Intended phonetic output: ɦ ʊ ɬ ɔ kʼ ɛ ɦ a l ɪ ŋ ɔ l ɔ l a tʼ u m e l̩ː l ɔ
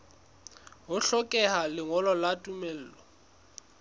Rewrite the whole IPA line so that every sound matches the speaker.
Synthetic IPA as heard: ɦ ʊ ɬ ɔ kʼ ɛ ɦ a l ɪ ŋ ɔ l ɔ l a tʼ u m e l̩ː l ɔ

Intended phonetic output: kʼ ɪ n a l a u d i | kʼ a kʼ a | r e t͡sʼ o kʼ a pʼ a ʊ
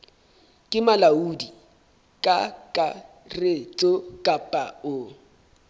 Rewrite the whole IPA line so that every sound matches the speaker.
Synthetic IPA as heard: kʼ ɪ m a l a u d i | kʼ a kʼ a | r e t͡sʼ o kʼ a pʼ a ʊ

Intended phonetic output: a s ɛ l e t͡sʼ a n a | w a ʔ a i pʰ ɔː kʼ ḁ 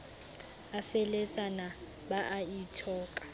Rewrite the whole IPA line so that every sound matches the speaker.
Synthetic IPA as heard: a f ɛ l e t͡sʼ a n a | b a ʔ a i tʰ ɔː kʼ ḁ

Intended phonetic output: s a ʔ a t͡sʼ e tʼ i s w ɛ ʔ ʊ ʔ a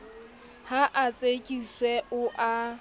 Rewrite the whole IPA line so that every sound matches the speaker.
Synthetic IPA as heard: h a ʔ a t͡sʼ e kʼ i s w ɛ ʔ ʊ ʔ a

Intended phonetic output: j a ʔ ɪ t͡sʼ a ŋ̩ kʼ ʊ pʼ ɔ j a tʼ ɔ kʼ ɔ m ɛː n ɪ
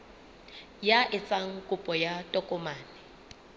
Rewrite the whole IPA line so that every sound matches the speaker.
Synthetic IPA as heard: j a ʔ ɪ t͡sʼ a ŋ̩ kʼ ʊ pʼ ɔ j a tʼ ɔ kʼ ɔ m aː n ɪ

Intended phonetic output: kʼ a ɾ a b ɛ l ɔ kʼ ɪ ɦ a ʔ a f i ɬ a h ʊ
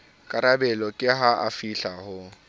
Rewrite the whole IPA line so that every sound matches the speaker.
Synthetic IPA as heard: kʼ a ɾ a b ɛ l ɔ kʼ ɪ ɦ a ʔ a f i ɬ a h ʊ

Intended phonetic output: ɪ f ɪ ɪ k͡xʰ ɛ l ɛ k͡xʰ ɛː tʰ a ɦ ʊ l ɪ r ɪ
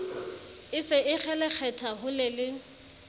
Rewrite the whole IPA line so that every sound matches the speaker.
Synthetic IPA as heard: ɪ s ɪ ɪ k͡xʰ ɛ l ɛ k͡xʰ ɛ tʰ a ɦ ʊ l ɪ l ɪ

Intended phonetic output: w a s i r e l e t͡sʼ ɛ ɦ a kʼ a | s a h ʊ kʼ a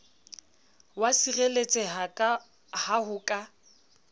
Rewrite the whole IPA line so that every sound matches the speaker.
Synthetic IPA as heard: w a s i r e l e t͡sʼ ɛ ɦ a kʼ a | h a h ʊ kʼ a

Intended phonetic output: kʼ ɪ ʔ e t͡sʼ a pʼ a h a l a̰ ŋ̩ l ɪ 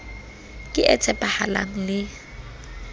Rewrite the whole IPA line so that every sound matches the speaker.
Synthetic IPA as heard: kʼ ɪ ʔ ɛ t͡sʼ ɛ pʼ a h a l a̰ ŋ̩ l ɪ

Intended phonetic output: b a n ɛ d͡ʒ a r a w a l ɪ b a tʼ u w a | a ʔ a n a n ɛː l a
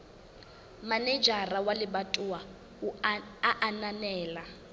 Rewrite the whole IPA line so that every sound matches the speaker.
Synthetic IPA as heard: m a n ɛ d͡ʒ a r a w a l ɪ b a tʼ u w a | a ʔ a n a n ɛː l a

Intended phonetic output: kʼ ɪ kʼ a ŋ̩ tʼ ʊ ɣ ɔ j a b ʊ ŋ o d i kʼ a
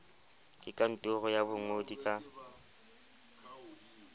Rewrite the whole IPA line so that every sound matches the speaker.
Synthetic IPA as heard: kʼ ɪ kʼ a n̩ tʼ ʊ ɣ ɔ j a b ʊ ŋ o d i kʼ a

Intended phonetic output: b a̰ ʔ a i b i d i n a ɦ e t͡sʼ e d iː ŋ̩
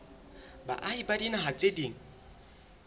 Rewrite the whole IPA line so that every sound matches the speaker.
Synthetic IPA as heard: b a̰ ʔ a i b a d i n a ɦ a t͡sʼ e d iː ŋ̩

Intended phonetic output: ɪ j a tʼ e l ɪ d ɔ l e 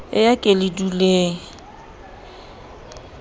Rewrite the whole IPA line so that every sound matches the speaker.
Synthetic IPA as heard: ɪ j a kʼ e l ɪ d u l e

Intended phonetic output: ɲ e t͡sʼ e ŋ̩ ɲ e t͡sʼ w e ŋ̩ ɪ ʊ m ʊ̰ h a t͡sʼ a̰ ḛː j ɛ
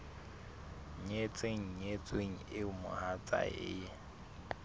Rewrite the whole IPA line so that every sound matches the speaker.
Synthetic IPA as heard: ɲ e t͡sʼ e ŋ̩ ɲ e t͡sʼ w e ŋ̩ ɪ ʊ m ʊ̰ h a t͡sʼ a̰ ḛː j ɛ

